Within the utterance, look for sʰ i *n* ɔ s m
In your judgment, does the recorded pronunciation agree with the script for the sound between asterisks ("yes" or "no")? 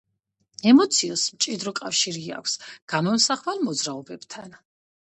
no